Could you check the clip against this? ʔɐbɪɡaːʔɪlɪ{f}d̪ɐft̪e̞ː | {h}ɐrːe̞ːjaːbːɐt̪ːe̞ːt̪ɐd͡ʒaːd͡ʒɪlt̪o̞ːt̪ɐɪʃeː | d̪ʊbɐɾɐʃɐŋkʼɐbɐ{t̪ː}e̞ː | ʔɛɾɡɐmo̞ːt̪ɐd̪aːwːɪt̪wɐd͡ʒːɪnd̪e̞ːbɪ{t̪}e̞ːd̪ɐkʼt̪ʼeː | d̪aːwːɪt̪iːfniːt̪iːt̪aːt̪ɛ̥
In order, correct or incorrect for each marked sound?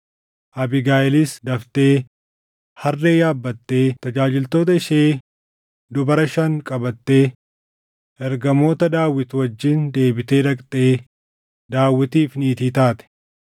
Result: incorrect, correct, correct, correct

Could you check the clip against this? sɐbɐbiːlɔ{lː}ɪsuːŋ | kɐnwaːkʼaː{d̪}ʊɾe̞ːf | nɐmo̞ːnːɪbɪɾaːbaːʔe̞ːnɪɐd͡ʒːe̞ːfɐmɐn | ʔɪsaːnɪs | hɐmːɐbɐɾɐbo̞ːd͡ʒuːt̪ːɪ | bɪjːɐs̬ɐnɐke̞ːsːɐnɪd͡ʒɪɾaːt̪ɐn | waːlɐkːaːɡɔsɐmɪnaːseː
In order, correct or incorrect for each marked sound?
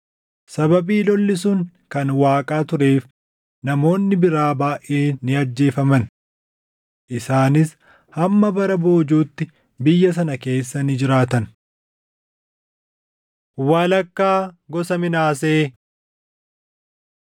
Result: correct, incorrect

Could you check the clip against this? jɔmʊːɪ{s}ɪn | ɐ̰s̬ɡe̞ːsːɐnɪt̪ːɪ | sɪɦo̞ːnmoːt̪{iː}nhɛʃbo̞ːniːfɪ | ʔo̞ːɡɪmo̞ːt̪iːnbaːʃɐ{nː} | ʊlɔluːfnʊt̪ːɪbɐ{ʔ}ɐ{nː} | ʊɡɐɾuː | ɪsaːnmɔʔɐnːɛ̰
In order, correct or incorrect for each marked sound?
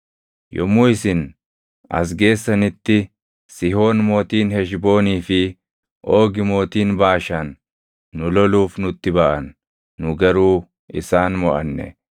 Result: correct, correct, correct, correct, correct

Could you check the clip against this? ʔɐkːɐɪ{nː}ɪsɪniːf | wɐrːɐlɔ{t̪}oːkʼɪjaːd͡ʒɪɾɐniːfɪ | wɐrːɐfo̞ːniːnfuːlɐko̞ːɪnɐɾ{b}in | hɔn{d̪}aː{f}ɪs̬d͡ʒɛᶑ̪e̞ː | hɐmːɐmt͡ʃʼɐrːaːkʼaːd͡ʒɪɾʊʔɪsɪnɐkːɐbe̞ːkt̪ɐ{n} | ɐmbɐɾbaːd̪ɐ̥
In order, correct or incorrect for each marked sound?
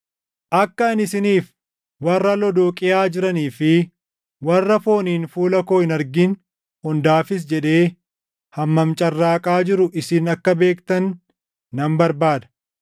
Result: incorrect, incorrect, incorrect, correct, correct, incorrect

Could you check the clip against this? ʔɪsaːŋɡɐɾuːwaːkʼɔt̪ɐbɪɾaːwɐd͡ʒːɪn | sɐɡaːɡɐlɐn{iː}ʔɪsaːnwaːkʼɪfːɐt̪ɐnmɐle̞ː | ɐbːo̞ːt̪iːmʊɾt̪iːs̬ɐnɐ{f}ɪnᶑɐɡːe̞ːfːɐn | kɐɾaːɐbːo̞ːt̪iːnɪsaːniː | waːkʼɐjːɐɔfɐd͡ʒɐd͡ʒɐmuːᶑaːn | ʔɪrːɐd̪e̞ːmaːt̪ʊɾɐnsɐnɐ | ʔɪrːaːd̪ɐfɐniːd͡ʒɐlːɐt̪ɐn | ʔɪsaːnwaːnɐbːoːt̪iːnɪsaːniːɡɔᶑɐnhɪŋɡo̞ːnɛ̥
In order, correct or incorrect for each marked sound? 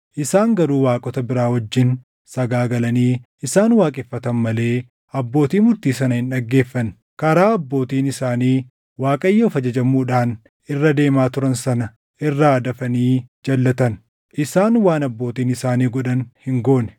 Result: correct, incorrect

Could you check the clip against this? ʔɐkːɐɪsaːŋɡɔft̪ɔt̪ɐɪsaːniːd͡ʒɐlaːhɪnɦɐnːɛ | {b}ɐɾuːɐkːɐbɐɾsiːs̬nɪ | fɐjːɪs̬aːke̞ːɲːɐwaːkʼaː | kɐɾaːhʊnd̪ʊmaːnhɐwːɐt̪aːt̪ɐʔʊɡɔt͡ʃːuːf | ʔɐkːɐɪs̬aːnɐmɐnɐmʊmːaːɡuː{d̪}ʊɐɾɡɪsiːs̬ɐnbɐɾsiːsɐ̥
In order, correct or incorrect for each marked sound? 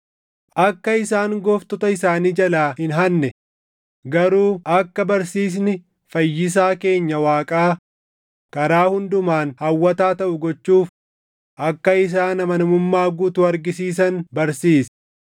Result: incorrect, incorrect

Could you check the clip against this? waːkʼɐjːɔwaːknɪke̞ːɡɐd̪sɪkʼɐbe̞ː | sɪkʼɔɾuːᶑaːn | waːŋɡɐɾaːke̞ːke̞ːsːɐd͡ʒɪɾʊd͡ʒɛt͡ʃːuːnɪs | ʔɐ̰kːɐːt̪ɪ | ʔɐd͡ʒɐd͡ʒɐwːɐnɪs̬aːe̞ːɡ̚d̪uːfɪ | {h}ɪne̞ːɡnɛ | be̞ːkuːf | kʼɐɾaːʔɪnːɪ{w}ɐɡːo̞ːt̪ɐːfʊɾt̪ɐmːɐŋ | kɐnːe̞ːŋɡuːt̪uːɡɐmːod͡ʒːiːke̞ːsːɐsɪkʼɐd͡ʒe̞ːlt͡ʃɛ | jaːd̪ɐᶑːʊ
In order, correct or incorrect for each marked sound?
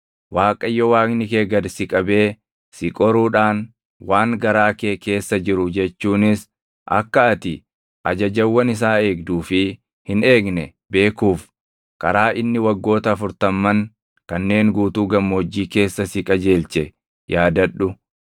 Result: correct, correct

